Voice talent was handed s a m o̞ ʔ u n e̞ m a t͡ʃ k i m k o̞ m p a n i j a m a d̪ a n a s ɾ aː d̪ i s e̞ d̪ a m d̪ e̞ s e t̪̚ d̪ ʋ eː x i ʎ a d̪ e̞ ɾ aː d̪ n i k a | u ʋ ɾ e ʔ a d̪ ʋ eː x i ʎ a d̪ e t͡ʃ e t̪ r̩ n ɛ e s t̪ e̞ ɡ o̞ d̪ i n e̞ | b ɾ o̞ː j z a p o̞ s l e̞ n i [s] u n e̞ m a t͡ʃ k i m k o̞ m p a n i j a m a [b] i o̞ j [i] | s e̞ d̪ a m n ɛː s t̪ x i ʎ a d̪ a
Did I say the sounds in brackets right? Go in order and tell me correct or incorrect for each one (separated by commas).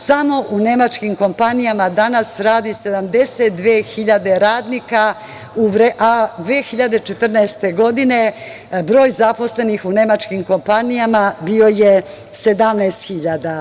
incorrect, correct, incorrect